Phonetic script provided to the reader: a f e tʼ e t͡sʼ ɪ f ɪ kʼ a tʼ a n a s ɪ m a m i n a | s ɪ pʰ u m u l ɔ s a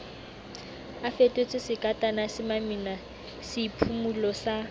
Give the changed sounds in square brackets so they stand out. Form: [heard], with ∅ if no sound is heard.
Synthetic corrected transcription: a f e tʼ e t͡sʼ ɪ [s] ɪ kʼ a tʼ a n a s ɪ m a m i n a | s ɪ pʰ u m u l ɔ s a

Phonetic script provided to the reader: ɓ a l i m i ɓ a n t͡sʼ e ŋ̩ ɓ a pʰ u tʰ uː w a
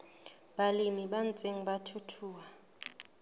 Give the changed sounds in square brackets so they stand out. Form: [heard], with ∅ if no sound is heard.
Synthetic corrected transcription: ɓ a l i m i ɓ a n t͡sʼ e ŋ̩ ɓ a [tʰ] u tʰ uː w a

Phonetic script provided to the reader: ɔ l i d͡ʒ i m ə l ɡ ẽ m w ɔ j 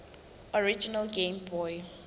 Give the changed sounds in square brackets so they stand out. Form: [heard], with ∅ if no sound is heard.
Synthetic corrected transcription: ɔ [ɹ] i d͡ʒ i [n] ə l ɡ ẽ m [b] ɔ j

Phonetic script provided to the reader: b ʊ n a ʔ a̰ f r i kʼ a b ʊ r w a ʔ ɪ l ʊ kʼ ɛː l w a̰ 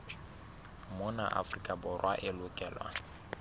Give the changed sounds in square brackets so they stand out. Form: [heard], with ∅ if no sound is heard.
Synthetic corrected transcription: [m] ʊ n a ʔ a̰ f r i kʼ a b ʊ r w a ʔ ɪ l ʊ kʼ ɛː l w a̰

